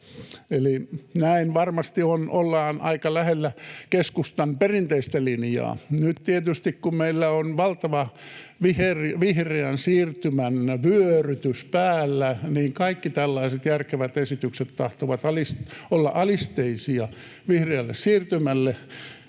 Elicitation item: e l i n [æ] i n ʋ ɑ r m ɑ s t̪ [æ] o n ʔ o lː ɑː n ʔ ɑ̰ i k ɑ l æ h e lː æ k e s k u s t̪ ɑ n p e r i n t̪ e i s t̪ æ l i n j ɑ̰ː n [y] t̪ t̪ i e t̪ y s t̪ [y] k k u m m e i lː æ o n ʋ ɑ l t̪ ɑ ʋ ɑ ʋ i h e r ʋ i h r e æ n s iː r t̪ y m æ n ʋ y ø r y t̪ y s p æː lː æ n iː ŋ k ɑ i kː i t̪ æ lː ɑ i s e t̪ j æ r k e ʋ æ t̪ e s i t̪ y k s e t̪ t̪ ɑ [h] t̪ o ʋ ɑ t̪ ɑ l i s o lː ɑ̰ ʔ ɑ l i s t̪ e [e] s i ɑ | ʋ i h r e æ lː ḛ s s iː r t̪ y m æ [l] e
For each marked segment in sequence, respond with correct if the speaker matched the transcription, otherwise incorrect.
correct, incorrect: i, correct, incorrect: i, correct, incorrect: i, incorrect: lː

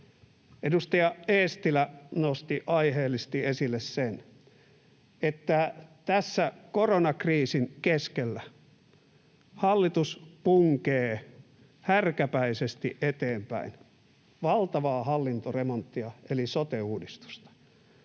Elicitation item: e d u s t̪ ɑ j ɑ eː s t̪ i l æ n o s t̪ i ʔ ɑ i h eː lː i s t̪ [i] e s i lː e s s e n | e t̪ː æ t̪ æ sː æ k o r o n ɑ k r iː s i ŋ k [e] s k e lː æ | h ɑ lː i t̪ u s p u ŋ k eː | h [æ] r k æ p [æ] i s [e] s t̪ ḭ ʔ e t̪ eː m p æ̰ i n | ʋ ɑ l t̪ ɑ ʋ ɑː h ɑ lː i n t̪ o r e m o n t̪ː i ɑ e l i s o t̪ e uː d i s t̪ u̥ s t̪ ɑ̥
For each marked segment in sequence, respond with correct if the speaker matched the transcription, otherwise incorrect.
correct, correct, correct, correct, correct

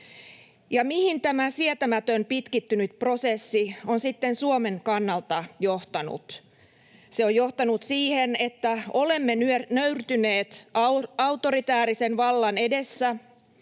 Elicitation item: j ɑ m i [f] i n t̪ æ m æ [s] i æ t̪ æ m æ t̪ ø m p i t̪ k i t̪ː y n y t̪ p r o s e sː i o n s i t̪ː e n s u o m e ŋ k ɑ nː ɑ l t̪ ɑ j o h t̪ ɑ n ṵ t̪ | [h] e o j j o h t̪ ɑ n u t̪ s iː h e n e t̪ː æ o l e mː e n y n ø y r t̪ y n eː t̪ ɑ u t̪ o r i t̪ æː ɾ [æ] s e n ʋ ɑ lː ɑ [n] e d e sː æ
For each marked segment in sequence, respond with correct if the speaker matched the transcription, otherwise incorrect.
incorrect: h, correct, incorrect: s, incorrect: i, correct

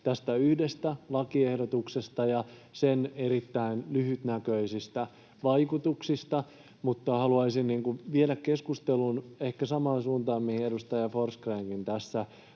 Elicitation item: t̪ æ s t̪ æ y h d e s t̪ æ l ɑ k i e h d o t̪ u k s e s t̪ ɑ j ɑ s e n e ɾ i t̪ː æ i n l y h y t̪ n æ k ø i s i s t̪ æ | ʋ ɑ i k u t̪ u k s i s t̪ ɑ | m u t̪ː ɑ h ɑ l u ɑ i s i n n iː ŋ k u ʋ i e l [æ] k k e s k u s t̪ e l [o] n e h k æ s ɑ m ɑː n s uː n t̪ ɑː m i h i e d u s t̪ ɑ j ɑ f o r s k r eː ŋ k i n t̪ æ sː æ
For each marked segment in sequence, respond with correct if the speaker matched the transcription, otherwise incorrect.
correct, incorrect: u

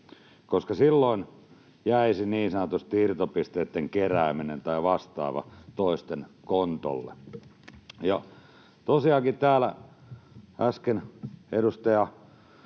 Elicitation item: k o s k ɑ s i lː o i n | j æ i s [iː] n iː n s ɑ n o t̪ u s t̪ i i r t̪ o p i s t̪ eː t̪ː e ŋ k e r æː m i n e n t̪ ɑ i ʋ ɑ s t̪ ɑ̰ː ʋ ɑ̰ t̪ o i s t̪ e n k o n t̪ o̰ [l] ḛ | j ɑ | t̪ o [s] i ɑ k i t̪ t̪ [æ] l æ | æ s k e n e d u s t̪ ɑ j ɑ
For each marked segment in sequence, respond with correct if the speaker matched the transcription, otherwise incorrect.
incorrect: i, incorrect: lː, correct, incorrect: æː

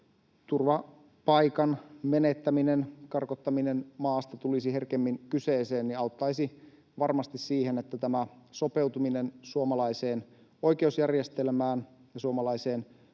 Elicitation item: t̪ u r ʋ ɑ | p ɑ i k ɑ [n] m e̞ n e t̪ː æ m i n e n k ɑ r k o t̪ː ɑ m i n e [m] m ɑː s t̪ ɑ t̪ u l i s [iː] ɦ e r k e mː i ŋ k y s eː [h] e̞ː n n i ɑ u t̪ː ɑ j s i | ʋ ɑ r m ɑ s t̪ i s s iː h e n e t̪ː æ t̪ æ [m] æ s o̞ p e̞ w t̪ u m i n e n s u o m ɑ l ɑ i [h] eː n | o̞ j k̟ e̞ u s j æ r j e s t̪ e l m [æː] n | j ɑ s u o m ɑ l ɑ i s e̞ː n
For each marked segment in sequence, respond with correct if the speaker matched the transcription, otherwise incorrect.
correct, incorrect: n, incorrect: i, incorrect: s, correct, incorrect: s, correct

